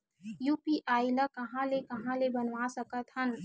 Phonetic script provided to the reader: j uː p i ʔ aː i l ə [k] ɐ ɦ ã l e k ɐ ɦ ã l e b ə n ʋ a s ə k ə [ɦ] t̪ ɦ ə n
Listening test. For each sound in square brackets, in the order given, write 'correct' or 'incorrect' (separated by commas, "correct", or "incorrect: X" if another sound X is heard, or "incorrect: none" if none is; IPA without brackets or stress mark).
correct, incorrect: none